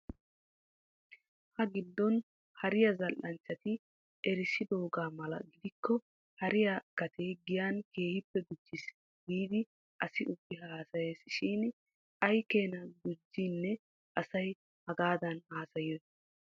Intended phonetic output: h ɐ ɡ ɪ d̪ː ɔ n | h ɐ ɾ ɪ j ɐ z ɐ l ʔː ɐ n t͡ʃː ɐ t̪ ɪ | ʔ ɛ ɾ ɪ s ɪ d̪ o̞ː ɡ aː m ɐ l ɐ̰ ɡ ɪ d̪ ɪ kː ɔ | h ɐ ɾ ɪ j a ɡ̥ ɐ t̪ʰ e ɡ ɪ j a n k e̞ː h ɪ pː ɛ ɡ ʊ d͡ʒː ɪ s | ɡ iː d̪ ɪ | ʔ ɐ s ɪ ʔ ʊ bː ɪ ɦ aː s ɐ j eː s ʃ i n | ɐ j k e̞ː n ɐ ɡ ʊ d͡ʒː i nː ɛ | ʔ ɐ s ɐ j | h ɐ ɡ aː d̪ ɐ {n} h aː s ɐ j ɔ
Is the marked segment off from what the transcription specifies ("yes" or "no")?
no